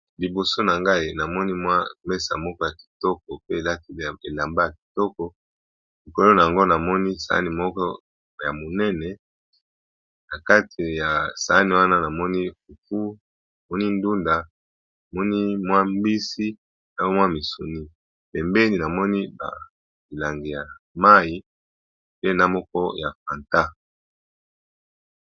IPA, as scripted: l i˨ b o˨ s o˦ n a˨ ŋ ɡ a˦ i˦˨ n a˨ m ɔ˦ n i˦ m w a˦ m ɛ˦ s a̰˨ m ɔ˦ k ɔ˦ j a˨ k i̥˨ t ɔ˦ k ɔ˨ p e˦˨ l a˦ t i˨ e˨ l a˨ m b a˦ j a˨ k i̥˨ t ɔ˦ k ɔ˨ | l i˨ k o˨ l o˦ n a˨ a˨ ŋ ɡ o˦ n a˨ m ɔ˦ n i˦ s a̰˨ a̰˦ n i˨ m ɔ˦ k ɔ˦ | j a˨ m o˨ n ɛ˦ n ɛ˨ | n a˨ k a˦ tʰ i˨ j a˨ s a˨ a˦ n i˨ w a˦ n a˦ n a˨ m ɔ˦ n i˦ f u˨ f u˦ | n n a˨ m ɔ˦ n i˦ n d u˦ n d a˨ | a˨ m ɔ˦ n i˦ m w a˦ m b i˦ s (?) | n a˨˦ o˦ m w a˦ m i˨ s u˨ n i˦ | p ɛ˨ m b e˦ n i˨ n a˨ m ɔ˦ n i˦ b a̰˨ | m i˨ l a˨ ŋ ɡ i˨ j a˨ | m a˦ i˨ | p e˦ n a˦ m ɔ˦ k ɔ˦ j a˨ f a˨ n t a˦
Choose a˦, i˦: i˦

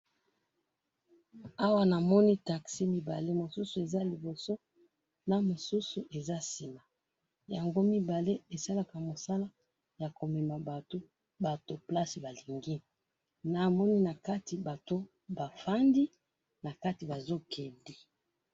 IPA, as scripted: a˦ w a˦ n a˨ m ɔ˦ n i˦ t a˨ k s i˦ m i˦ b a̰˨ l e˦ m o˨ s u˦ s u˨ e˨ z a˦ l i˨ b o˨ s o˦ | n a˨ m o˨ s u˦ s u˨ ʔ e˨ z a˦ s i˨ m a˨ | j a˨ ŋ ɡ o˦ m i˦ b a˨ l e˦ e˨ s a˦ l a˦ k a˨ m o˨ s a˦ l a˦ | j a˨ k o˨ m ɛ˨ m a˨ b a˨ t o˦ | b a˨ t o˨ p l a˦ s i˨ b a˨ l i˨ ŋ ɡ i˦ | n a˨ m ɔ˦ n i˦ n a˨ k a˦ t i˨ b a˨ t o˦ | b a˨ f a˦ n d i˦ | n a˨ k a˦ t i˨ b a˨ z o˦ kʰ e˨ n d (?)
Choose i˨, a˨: i˨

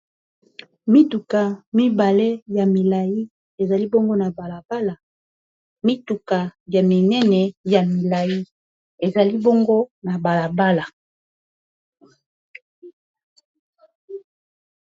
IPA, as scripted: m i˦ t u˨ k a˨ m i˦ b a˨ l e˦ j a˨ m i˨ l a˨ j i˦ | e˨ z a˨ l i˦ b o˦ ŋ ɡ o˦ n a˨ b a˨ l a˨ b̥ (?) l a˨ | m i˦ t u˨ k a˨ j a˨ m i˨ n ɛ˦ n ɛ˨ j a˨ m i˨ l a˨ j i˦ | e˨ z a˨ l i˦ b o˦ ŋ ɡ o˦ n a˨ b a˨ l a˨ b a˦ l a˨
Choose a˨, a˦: a˦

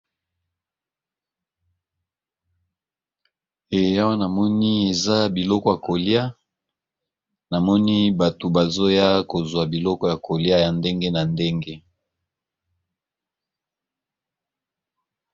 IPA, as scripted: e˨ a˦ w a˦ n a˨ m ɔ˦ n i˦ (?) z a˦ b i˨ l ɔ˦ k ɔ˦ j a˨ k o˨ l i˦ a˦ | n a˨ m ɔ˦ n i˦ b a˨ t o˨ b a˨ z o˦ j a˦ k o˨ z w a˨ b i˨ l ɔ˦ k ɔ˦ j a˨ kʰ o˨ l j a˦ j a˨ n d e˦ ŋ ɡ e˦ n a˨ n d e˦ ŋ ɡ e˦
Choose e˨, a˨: e˨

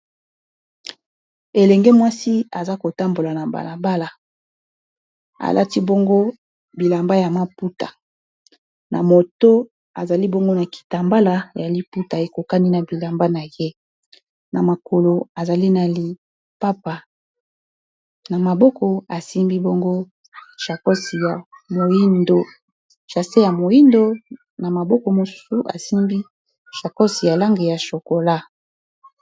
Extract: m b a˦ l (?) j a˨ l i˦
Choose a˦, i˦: a˦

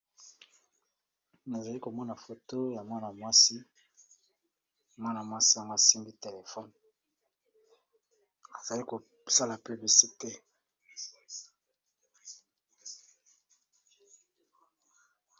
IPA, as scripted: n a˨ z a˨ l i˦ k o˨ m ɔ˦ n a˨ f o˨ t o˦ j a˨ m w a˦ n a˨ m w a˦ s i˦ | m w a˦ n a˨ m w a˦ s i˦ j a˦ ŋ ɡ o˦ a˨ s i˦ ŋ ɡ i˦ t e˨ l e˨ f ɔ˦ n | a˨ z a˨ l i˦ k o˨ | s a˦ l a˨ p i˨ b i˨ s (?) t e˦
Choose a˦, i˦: i˦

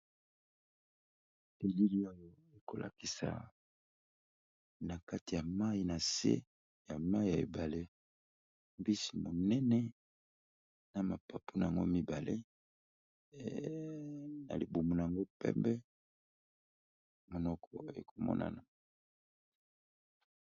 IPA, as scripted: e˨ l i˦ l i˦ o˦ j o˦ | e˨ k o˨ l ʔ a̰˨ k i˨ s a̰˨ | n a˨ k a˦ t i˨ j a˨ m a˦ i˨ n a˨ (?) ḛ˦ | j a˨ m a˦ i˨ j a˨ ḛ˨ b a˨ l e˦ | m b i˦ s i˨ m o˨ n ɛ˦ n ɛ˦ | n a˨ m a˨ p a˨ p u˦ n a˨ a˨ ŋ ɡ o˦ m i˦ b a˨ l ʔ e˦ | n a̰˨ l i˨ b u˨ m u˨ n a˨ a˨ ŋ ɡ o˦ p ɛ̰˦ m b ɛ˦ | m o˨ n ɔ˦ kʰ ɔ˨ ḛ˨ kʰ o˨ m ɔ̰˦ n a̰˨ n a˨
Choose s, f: s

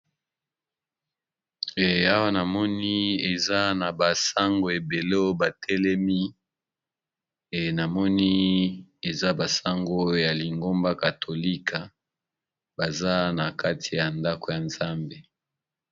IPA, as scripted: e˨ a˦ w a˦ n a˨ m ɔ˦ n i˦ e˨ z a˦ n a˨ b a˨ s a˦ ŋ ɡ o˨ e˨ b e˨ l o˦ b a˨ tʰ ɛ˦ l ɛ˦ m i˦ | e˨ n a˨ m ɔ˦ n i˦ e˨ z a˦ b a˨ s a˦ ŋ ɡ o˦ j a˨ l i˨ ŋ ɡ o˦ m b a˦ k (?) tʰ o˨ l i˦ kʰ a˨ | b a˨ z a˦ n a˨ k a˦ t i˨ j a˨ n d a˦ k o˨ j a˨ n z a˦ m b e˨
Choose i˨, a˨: a˨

